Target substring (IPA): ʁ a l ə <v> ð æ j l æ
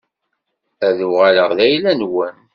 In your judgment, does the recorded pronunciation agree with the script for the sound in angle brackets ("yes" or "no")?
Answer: no